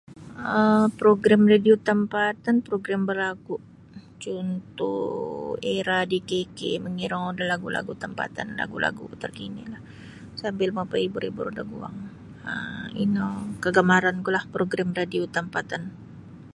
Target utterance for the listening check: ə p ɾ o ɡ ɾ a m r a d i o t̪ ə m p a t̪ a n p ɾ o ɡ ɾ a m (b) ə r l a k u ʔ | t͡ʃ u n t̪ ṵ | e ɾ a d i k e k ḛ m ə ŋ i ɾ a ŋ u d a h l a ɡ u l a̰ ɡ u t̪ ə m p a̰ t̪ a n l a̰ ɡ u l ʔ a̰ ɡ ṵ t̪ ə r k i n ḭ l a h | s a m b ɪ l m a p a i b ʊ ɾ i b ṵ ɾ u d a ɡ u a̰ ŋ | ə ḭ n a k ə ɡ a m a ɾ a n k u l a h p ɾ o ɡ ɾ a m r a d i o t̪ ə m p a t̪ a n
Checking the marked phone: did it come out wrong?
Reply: no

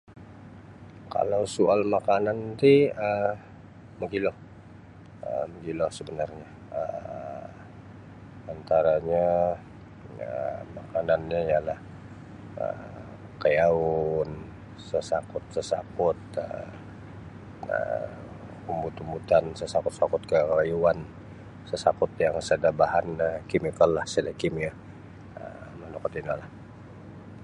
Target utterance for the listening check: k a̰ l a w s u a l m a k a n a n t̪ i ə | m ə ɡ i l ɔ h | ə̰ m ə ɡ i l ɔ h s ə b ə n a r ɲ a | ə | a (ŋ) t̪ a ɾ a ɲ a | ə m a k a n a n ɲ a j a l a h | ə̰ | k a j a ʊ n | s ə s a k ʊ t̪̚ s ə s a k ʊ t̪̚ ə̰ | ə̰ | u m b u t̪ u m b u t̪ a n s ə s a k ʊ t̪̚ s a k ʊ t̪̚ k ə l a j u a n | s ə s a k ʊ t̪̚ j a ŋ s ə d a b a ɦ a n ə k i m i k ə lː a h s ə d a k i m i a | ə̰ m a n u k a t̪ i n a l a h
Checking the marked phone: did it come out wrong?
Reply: yes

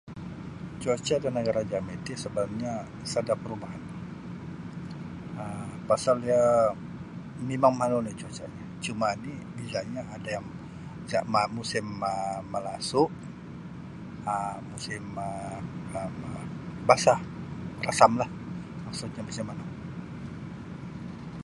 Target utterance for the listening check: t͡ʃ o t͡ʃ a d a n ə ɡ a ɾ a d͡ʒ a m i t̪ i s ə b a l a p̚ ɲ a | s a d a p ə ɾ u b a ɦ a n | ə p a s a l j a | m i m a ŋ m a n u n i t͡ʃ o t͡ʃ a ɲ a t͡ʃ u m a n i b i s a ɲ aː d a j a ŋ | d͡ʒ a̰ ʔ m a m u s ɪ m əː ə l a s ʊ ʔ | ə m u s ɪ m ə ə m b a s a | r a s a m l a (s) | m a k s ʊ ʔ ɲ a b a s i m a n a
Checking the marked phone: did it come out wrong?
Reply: yes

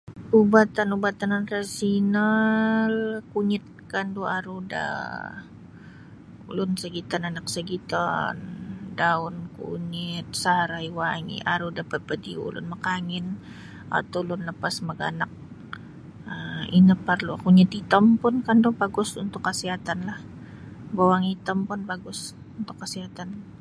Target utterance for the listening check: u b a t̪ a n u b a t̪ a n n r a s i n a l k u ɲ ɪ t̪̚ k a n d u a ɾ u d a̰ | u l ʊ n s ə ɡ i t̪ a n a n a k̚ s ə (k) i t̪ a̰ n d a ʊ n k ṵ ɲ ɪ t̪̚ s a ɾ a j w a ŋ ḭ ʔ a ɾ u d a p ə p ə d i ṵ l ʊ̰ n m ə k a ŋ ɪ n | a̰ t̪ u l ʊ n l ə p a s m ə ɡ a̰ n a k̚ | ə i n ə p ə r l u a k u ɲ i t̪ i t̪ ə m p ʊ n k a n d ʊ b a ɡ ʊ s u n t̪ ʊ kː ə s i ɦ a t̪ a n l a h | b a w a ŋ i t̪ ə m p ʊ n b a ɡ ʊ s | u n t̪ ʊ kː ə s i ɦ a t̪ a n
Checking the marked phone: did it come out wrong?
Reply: yes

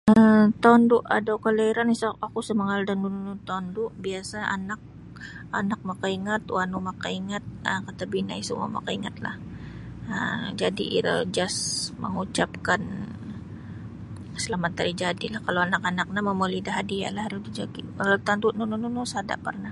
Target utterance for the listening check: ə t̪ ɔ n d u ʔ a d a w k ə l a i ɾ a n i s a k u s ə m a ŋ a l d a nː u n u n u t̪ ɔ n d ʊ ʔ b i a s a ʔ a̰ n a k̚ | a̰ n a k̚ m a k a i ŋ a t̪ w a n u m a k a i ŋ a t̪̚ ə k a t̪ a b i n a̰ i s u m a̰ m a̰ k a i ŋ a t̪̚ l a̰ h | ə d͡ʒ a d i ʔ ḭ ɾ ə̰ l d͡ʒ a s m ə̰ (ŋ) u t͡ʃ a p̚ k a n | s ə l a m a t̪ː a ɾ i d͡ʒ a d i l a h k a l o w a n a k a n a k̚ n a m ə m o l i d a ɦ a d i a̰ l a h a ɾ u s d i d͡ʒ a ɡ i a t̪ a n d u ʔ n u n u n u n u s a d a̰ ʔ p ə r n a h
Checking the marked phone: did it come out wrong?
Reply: no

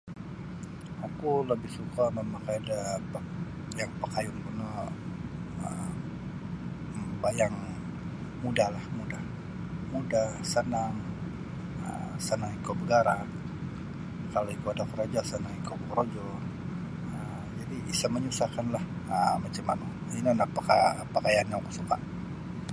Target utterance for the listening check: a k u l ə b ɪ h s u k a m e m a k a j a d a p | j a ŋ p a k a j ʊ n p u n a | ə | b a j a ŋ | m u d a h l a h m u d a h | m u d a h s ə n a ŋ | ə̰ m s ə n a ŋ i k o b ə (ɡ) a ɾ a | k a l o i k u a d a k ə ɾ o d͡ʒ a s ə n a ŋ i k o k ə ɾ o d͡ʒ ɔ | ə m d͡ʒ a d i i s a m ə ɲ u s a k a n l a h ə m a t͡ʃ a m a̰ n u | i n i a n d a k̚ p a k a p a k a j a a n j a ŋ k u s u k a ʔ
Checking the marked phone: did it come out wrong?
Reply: no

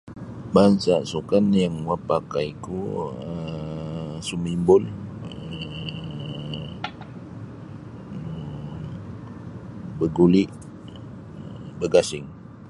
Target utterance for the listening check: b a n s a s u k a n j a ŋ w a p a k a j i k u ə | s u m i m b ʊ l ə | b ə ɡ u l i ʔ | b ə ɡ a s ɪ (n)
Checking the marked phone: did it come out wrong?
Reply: yes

